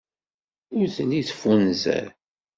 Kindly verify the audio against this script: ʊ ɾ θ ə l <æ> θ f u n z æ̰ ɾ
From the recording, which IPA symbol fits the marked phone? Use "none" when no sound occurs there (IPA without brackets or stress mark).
i